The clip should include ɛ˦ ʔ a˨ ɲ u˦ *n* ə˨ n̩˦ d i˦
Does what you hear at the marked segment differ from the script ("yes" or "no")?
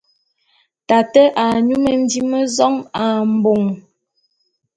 yes